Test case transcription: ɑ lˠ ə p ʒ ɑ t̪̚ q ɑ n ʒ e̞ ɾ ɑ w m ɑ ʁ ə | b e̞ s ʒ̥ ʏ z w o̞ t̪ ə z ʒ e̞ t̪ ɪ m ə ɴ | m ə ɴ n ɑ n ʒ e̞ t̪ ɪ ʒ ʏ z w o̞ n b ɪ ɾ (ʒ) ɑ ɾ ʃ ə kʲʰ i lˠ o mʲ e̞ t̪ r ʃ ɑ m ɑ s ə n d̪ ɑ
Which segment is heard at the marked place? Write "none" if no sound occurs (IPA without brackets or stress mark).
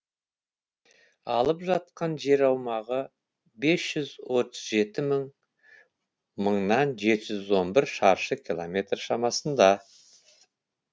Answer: ʃ